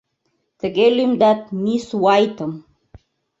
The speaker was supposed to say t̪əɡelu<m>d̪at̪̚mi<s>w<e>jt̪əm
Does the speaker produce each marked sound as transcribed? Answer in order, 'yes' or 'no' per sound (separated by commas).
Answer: yes, yes, no